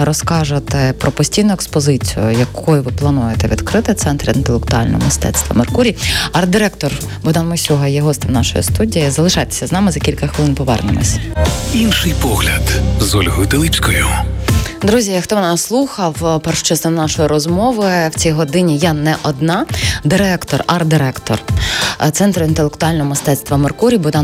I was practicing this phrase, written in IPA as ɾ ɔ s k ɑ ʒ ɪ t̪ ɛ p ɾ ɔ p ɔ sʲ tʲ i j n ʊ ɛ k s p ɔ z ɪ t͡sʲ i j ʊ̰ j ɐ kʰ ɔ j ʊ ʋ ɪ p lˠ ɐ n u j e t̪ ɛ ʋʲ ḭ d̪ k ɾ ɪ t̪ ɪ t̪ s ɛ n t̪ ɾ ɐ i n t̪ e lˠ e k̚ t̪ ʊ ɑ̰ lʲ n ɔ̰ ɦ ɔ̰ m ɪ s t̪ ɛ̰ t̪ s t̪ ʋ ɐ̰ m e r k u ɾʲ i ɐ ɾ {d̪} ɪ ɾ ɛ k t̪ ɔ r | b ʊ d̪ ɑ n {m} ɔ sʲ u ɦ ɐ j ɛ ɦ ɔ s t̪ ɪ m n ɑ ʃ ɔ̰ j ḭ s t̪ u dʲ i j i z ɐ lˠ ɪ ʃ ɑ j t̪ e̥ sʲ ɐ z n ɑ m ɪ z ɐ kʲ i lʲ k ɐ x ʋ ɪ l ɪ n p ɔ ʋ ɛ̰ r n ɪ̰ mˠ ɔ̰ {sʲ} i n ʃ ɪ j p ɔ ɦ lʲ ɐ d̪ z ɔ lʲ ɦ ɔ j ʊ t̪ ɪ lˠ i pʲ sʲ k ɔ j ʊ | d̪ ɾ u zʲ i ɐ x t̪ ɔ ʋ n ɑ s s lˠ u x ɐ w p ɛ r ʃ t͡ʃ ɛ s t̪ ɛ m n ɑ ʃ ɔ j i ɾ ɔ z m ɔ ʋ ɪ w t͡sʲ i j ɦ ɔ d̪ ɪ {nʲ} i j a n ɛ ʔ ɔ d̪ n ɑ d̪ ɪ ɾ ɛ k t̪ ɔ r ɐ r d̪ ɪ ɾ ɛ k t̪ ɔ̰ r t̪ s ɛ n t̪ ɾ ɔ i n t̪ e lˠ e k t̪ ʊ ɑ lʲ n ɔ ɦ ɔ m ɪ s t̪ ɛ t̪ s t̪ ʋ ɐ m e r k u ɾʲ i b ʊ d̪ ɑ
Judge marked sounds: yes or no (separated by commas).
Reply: yes, yes, yes, yes